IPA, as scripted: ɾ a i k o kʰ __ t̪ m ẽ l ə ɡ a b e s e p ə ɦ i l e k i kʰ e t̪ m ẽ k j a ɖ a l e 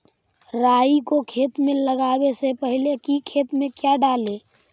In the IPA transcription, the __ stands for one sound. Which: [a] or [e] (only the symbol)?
e